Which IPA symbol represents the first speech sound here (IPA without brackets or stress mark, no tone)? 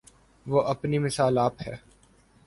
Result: ʋ